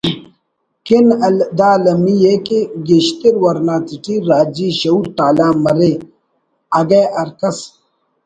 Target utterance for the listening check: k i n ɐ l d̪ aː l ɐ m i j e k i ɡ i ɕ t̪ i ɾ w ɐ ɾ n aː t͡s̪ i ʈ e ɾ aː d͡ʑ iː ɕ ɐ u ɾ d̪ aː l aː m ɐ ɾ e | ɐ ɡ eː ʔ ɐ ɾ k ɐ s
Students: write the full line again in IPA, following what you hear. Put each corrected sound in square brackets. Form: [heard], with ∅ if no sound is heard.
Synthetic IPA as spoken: k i n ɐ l d̪ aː l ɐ m i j e k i ɡ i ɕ t̪ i ɾ w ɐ ɾ n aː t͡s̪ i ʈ [i] ɾ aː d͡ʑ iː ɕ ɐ u ɾ [t̪] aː l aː m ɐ ɾ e | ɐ ɡ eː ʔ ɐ ɾ k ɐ s